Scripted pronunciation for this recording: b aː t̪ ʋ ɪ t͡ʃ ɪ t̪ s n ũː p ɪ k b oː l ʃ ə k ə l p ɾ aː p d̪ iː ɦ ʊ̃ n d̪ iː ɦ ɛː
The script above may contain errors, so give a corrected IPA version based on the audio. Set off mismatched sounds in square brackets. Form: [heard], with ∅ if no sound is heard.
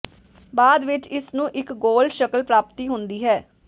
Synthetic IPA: b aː [d̪] ʋ ɪ t͡ʃ ɪ [∅] s n ũː [ʔ] ɪ k [ɡ] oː l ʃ ə k ə l p ɾ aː p [t̪] iː ɦ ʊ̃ n d̪ iː ɦ ɛː